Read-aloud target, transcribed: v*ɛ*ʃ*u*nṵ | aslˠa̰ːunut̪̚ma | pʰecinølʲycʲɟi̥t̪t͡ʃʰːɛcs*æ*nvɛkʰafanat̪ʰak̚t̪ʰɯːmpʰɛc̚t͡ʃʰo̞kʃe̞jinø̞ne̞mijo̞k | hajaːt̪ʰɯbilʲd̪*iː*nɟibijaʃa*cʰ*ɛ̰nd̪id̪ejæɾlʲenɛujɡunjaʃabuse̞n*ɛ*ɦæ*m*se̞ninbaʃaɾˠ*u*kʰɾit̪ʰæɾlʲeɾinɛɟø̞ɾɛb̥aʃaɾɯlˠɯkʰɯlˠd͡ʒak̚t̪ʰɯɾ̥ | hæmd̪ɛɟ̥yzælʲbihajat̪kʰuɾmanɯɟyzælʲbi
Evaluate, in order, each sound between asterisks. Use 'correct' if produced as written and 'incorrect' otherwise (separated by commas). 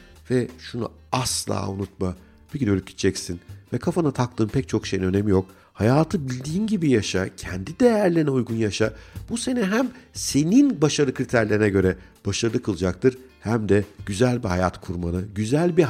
correct, correct, incorrect, correct, correct, correct, correct, incorrect